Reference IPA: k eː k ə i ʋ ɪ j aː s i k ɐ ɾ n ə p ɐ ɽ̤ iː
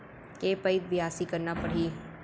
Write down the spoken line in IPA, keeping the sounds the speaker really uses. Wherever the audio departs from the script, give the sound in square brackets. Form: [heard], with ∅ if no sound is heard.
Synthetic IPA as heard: k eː [p] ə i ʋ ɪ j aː s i k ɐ ɾ n [a] p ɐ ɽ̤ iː